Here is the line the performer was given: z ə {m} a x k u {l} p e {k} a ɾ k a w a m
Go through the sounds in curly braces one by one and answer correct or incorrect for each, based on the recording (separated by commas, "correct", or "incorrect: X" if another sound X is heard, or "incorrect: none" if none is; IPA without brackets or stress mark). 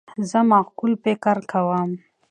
correct, correct, correct